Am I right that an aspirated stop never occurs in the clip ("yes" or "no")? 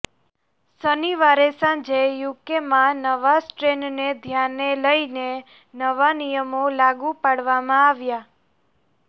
yes